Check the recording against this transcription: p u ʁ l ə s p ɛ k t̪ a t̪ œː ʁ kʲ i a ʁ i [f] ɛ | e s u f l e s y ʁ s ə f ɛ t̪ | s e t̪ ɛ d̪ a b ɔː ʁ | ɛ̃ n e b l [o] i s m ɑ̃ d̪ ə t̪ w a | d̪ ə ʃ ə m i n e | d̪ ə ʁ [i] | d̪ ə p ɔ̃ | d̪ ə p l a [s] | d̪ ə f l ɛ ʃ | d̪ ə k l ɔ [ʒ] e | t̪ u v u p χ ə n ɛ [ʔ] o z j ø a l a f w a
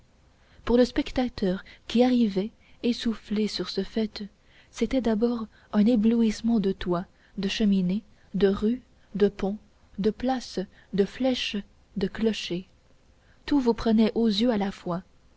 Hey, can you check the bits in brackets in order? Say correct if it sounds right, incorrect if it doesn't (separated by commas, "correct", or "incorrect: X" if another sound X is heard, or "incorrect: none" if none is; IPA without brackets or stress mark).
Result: incorrect: v, incorrect: u, incorrect: y, correct, incorrect: ʃ, correct